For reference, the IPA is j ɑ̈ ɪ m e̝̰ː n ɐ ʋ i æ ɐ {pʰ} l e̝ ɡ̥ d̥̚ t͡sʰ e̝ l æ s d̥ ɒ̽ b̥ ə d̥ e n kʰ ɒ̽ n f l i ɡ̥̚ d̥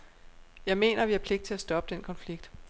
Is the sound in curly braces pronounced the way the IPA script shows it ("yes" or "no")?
yes